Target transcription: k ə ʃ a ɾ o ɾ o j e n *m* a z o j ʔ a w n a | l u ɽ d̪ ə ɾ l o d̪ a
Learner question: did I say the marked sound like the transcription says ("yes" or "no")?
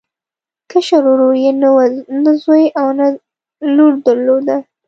no